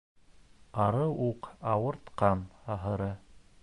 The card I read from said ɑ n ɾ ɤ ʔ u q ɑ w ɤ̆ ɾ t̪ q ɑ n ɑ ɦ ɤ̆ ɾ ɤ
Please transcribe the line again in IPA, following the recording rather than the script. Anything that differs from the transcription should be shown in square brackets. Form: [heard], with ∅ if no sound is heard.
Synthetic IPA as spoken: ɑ [∅] ɾ ɤ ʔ u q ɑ w ɤ̆ ɾ t̪ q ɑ n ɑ ɦ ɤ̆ ɾ ɤ

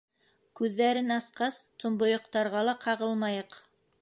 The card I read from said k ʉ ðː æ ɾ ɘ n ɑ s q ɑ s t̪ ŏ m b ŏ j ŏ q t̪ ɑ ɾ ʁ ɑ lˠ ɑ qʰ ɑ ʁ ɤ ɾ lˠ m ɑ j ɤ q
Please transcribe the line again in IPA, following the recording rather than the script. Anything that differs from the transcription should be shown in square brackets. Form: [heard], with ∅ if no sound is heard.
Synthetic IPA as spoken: k ʉ ðː æ ɾ ɘ n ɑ s q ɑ s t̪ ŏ m b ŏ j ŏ q t̪ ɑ ɾ ʁ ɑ lˠ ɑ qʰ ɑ ʁ ɤ [∅] lˠ m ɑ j ɤ q

